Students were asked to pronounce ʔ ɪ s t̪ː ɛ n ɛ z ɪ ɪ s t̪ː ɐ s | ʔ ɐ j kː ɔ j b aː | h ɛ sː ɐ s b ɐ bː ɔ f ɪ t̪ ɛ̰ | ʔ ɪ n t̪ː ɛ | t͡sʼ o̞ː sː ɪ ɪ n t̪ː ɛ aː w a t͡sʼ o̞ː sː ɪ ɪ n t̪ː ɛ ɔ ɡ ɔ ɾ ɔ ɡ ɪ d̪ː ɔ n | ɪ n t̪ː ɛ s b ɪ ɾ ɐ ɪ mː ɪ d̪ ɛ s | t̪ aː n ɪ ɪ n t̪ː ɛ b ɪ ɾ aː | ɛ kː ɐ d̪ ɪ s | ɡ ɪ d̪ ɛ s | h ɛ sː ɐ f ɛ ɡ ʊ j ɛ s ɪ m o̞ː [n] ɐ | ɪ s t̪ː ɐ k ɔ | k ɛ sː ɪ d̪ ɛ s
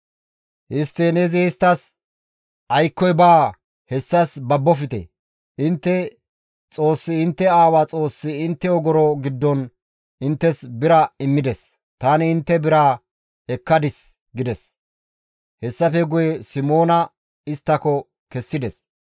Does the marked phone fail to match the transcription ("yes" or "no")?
no